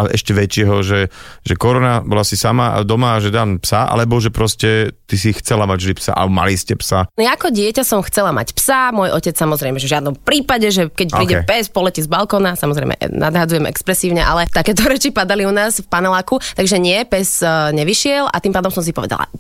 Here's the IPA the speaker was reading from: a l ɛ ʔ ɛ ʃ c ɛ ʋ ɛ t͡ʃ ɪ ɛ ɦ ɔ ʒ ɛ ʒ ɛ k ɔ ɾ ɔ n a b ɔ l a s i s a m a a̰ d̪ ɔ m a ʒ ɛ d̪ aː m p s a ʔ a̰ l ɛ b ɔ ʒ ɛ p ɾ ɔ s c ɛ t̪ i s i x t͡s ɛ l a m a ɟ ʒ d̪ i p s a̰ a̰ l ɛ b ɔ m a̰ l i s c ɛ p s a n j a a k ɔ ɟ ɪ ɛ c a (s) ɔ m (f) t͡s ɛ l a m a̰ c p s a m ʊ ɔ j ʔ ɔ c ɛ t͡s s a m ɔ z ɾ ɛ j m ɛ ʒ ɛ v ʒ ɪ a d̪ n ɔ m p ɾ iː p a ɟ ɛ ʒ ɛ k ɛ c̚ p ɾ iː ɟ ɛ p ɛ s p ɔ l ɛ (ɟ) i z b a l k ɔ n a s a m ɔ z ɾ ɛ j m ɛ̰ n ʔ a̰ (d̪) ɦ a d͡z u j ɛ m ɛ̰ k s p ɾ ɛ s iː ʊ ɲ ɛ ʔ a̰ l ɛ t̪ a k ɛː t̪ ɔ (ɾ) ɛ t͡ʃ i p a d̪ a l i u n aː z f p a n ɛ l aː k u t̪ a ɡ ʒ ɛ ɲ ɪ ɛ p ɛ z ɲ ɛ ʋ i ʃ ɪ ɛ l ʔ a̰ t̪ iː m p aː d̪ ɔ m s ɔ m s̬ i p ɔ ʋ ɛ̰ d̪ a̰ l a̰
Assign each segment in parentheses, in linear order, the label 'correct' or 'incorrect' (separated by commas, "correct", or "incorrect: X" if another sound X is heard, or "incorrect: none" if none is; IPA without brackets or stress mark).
correct, incorrect: x, incorrect: c, correct, correct